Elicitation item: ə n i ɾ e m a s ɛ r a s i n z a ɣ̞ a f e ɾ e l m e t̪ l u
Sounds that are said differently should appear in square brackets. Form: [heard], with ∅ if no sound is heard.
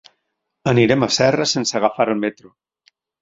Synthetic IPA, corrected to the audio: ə n i ɾ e m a s ɛ r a s [e] n [s] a ɣ̞ a f [a] ɾ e l m e t̪ [ɾ] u